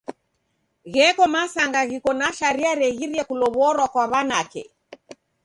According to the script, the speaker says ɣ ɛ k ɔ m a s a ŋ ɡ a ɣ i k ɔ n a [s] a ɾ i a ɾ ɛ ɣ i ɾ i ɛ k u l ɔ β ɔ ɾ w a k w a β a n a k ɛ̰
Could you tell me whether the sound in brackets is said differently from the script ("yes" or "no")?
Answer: yes